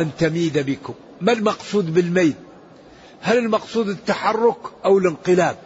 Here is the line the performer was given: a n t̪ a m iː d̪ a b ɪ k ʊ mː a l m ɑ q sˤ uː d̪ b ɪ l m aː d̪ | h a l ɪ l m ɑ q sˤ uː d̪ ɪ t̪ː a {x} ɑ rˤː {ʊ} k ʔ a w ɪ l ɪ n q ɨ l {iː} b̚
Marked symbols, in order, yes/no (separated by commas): no, yes, no